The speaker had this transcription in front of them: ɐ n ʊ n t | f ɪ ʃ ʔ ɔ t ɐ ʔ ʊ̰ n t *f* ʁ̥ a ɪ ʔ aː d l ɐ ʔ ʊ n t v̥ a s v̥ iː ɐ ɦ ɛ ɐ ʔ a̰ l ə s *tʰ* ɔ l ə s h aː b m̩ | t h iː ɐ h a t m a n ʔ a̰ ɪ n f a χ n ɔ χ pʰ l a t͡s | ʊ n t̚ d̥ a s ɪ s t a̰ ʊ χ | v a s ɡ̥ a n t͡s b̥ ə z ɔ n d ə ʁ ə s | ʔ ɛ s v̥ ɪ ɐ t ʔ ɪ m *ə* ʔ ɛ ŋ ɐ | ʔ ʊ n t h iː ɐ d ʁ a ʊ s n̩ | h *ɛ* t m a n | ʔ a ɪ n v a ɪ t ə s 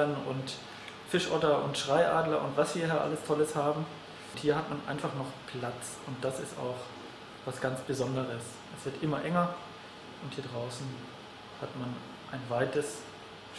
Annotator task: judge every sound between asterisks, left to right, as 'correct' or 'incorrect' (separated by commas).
incorrect, correct, incorrect, incorrect